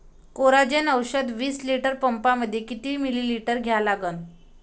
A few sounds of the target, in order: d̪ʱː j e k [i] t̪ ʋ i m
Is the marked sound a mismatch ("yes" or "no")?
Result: no